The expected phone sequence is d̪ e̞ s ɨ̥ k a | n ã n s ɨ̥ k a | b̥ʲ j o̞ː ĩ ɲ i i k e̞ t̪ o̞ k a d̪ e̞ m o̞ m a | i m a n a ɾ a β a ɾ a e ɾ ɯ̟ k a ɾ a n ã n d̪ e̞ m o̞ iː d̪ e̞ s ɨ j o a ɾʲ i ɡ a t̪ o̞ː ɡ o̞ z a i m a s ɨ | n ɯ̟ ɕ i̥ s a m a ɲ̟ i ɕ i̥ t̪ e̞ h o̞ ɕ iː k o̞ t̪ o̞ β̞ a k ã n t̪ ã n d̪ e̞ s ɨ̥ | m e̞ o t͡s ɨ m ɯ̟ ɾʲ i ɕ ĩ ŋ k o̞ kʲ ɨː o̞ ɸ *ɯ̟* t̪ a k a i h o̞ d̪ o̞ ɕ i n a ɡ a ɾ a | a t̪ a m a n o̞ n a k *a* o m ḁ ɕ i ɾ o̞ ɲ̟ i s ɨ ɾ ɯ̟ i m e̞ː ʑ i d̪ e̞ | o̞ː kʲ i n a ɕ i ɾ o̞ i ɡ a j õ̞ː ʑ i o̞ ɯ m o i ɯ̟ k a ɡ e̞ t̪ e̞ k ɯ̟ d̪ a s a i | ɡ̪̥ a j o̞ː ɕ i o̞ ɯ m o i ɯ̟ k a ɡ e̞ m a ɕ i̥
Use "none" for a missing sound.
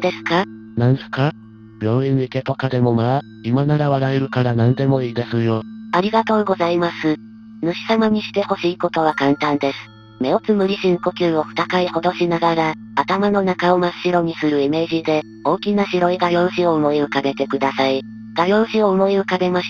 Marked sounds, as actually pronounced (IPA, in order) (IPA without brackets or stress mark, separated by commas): ɯ̟, a